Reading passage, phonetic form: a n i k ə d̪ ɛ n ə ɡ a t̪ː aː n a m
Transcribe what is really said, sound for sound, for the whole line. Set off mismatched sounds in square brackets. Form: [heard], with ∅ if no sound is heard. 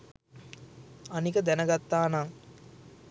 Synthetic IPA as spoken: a n i k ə d̪ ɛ n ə ɡ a t̪ː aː n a [ŋ]